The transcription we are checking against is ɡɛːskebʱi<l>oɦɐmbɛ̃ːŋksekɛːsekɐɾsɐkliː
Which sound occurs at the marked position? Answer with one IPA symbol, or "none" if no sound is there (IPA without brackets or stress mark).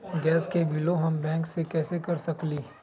l